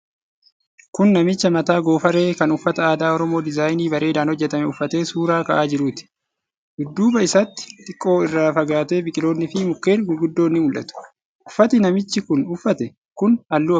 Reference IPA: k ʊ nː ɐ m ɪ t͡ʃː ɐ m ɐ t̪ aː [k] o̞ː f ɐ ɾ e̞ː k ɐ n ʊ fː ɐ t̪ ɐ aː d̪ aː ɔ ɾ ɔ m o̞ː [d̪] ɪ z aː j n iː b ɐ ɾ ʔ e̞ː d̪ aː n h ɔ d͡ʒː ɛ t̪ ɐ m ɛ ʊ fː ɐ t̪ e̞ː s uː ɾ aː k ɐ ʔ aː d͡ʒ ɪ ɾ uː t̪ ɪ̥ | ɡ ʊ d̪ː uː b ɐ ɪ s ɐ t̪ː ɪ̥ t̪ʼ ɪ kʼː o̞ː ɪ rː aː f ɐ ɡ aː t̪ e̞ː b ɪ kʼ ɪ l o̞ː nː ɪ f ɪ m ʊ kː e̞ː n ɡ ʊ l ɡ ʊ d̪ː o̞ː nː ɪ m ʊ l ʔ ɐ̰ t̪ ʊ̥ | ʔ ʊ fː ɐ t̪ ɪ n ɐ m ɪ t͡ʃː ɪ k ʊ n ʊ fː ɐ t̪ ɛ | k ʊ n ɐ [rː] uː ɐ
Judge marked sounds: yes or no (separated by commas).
no, yes, no